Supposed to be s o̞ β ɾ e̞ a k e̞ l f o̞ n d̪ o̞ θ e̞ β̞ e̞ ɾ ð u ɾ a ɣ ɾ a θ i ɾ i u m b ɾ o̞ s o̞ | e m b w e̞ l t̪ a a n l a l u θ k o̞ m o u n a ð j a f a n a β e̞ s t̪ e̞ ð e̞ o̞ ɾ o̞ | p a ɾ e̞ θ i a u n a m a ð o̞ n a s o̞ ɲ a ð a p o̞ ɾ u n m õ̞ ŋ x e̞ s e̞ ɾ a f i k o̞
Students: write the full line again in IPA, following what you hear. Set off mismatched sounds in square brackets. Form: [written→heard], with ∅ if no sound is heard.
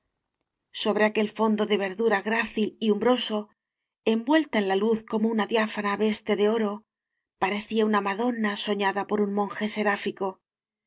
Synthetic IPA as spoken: s o̞ β ɾ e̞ a k e̞ l f o̞ n d̪ o̞ [θ→ð] e̞ β̞ e̞ ɾ ð u ɾ a ɣ ɾ a θ i [ɾ→l] i u m b ɾ o̞ s o̞ | e m b w e̞ l t̪ a [a→e] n l a l u θ k o̞ m o u n a ð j a f a n a β e̞ s t̪ e̞ ð e̞ o̞ ɾ o̞ | p a ɾ e̞ θ i a u n a m a ð o̞ n a s o̞ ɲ a ð a p o̞ ɾ u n m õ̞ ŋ x e̞ s e̞ ɾ a f i k o̞